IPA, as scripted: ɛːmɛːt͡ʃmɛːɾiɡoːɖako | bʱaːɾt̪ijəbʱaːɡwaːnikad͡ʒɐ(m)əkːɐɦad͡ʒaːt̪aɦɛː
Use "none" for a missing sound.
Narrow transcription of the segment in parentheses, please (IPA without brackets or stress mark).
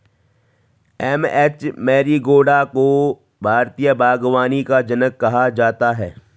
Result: n